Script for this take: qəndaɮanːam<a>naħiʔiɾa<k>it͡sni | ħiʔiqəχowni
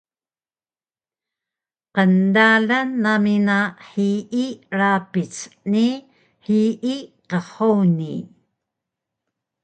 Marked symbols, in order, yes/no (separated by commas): no, no